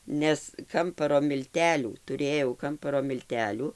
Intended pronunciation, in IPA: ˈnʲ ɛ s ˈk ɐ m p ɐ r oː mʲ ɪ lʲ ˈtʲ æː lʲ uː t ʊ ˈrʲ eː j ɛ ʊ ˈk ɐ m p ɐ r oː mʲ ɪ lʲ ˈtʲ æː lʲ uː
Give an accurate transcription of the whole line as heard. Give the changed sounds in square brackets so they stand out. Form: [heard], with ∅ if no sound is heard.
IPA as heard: ˈnʲ ɛ s ˈk ɐ m p ɐ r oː mʲ ɪ lʲ ˈtʲ æː lʲ uː t ʊ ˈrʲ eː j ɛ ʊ ˈk ɐ m p ɐ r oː mʲ ɪ lʲ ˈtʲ æː lʲ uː